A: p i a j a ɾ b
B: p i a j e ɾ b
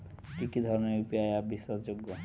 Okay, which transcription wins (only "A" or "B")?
A